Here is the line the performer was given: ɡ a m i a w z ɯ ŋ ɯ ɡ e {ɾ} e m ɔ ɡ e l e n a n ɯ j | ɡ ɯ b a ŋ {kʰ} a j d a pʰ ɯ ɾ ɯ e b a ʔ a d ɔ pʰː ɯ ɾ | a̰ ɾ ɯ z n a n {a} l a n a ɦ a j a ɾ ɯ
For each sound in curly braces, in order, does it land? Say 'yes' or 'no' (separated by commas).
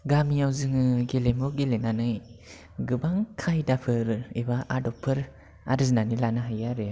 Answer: no, yes, no